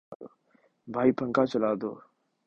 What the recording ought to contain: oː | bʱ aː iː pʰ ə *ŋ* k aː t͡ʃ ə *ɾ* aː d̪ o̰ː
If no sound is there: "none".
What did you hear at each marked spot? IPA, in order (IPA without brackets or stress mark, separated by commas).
ŋ, l